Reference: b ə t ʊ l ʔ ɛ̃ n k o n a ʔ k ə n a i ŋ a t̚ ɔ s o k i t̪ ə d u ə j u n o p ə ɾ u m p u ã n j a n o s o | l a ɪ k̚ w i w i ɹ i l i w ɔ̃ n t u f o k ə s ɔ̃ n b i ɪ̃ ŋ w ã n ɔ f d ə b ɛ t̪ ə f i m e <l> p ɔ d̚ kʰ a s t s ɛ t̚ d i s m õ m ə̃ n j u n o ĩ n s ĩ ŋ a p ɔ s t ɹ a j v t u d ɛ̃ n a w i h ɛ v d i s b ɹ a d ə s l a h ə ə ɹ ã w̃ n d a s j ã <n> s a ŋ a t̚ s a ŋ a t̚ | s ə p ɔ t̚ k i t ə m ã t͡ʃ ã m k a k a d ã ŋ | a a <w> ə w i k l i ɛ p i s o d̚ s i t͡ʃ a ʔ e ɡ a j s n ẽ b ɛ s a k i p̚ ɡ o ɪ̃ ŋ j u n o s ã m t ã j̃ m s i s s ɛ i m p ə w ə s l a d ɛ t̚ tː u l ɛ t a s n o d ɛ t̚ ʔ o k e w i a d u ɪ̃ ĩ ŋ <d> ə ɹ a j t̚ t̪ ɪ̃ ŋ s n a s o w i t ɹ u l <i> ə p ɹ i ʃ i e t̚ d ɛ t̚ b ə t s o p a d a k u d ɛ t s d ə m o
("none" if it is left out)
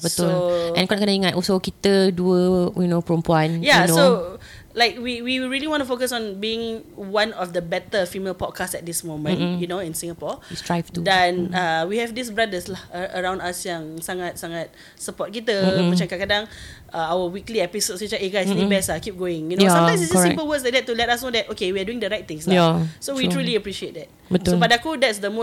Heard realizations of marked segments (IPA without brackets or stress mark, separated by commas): l, ŋ, w, d, i